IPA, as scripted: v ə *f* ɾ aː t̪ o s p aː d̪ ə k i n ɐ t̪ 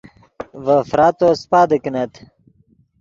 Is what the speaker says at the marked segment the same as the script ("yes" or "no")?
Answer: yes